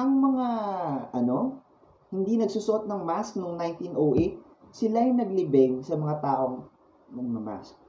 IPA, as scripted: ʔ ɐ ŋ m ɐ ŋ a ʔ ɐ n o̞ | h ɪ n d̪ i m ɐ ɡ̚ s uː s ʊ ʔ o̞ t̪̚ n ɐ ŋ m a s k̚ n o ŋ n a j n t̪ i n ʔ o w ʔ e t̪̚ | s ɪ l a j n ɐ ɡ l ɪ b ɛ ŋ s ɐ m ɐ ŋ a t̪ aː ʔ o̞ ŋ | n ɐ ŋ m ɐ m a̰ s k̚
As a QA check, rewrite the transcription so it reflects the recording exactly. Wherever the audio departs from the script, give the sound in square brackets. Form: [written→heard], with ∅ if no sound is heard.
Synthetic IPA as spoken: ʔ ɐ ŋ m ɐ ŋ a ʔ ɐ n o̞ | h ɪ n d̪ i [m→n] ɐ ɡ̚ s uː s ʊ ʔ o̞ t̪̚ n ɐ ŋ m a s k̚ n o ŋ n a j n t̪ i n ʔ o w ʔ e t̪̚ | s ɪ l a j n ɐ ɡ l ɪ b ɛ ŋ s ɐ m ɐ ŋ a t̪ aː ʔ o̞ ŋ | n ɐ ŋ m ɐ m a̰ s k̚